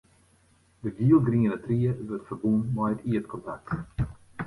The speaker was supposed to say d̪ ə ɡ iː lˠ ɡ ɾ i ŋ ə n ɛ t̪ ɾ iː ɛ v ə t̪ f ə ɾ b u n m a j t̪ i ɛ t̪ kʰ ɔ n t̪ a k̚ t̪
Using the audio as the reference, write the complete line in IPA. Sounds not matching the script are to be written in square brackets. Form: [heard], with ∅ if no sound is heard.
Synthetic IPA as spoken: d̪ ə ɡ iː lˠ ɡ ɾ i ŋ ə n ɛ t̪ ɾ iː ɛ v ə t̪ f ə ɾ b u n m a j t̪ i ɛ t̪ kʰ ɔ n t̪ a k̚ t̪